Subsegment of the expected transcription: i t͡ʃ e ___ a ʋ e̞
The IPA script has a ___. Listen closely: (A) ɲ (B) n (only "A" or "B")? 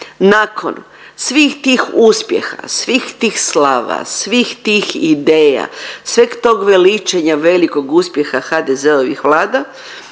A